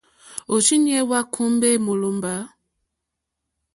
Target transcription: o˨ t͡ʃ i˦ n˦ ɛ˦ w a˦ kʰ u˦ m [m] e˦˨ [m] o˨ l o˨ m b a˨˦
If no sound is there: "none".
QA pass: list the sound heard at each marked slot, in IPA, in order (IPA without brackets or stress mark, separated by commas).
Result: b, m